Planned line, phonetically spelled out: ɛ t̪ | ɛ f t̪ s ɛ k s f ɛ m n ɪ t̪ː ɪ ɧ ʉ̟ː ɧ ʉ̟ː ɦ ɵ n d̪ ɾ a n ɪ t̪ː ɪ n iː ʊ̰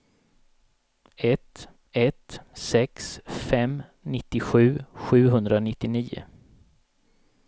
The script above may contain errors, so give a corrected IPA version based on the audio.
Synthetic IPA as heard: ɛ t̪ | ɛ t̪ s ɛ k s f ɛ m n ɪ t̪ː ɪ ɧ ʉ̟ː ɧ ʉ̟ː ɦ ɵ n d̪ ɾ a n ɪ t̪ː ɪ n iː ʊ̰